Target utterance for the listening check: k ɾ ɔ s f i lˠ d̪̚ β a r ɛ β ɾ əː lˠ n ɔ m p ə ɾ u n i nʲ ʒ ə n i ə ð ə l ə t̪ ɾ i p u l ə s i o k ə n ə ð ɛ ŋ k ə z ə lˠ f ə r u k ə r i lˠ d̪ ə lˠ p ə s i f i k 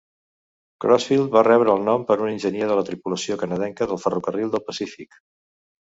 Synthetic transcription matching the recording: k ɾ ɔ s f i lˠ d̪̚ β a r ɛ β ɾ əː lˠ n ɔ m p ə ɾ u n i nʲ ʒ ə n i ə ð ə l ə t̪ ɾ i p u l ə s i o k ə n ə ð ɛ ŋ k ə ð ə lˠ f ə r u k ə r i lˠ d̪ ə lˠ p ə s i f i k